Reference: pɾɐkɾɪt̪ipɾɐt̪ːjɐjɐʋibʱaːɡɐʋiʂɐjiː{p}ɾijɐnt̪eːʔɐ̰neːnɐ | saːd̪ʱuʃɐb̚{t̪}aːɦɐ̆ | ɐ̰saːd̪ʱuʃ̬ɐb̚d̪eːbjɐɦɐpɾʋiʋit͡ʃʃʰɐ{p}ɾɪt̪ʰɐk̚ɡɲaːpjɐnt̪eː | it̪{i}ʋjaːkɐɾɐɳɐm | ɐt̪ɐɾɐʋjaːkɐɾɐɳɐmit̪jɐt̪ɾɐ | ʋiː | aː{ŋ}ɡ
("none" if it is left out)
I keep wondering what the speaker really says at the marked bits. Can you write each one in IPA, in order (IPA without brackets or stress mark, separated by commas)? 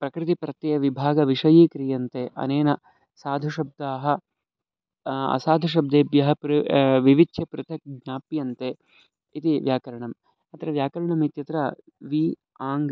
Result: k, d̪, p, i, ŋ